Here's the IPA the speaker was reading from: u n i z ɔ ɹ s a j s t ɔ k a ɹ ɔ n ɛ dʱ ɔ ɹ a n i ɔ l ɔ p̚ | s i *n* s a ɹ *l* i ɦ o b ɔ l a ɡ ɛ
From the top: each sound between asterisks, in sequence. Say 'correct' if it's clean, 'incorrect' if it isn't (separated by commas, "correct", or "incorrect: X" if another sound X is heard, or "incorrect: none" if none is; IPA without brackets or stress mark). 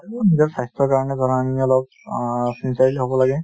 correct, correct